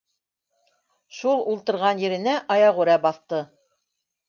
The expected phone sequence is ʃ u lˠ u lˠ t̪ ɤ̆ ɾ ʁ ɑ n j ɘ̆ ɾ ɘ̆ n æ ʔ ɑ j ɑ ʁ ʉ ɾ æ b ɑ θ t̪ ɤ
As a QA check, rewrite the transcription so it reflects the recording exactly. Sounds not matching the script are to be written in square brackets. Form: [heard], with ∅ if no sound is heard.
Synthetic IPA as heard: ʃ u lˠ u lˠ t̪ ɤ̆ ɾ ʁ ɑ n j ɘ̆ ɾ ɘ̆ n æ ʔ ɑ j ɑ ʁ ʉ ɾ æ b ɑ θ t̪ ɤ